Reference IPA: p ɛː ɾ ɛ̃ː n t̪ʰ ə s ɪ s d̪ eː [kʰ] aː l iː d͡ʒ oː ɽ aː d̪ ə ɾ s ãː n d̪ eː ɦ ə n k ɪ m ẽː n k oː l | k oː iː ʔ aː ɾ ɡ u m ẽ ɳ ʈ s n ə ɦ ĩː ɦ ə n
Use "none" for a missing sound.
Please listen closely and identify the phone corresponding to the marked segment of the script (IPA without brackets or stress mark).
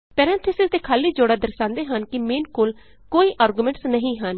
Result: kʰ